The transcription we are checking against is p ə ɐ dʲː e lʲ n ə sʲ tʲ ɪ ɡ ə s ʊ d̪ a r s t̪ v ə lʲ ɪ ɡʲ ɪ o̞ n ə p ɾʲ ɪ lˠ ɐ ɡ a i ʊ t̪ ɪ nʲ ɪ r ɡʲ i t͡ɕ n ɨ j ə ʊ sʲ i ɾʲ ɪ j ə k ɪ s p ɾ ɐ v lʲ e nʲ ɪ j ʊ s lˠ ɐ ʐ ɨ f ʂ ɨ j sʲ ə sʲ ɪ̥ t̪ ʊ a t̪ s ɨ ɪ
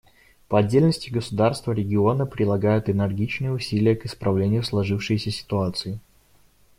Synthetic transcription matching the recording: p ə ɐ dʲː e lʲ n ə sʲ tʲ ɪ ɡ ə s ʊ d̪ a r s t̪ v ə ɾʲ ɪ ɡʲ ɪ o̞ n ə p ɾʲ ɪ lˠ ɐ ɡ a j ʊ t̪ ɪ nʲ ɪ r ɡʲ i t͡ɕ n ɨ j ə ʊ sʲ i lʲ ɪ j ə k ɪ s p ɾ ɐ v lʲ e nʲ ɪ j ʊ s lˠ ɐ ʐ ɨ f ʂ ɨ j sʲ ə sʲ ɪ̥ t̪ ʊ a t̪ s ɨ ɪ